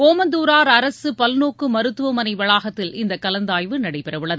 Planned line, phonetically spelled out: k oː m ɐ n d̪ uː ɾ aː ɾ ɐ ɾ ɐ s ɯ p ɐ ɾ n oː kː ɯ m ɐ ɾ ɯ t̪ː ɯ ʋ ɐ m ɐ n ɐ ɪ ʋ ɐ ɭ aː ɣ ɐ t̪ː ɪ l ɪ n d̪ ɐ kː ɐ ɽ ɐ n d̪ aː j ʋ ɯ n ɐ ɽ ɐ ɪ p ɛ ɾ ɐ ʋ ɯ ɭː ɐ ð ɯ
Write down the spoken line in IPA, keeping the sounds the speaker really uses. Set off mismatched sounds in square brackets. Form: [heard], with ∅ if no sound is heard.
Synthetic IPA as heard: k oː m ɐ n d̪ uː ɾ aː ɾ ɐ ɾ ɐ s ɯ p ɐ [l] n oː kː ɯ m ɐ ɾ ɯ t̪ː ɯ ʋ ɐ m ɐ n ɐ ɪ ʋ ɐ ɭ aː ɣ ɐ t̪ː ɪ l ɪ n d̪ ɐ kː ɐ [l] ɐ n d̪ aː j ʋ ɯ n ɐ ɽ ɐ ɪ p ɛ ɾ ɐ ʋ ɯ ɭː ɐ ð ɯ